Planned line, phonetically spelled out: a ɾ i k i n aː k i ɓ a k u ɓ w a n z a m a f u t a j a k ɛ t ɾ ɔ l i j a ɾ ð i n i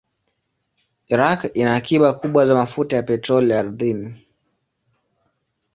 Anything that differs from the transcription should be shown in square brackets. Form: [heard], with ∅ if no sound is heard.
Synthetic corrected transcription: [i] ɾ [a] k i n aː k i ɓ a k u ɓ w a [∅] z a m a f u t a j a [p] ɛ t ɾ ɔ l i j a ɾ ð i n i